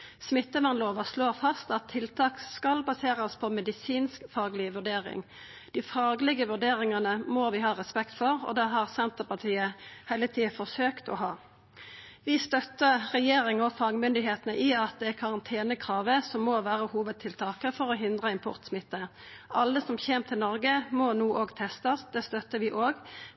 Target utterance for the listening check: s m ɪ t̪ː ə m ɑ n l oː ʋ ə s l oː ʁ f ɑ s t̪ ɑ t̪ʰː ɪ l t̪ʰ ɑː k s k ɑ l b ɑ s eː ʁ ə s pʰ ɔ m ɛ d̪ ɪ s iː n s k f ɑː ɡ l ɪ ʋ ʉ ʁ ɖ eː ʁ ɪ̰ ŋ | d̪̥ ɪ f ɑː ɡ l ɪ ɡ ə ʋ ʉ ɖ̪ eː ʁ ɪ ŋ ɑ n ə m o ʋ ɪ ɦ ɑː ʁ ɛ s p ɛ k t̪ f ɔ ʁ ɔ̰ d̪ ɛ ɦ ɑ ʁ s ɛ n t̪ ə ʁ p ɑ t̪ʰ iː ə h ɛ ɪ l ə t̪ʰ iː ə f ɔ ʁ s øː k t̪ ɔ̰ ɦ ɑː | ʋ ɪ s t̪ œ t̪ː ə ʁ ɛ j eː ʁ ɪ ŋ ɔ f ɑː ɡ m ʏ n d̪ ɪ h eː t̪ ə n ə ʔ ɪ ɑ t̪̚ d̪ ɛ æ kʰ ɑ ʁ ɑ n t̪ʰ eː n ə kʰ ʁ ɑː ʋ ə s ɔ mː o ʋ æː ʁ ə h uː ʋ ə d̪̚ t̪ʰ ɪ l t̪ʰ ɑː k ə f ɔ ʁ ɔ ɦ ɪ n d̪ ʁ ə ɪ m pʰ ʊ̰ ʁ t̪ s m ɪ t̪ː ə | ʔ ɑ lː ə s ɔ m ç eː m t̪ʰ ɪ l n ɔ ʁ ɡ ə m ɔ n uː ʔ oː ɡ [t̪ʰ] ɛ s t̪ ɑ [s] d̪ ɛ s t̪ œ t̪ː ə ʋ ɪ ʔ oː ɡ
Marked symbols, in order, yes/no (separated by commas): yes, yes